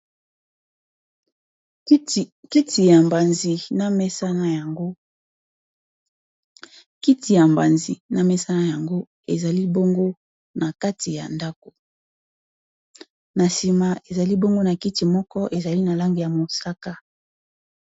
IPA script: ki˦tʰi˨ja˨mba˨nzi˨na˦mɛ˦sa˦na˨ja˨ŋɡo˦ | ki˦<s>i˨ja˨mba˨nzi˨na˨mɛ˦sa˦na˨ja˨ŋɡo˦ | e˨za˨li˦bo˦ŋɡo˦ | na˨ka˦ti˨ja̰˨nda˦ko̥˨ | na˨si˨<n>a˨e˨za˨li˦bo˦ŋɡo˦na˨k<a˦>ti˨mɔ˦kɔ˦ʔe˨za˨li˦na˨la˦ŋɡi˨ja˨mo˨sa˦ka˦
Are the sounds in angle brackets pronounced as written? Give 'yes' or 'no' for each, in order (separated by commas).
no, no, no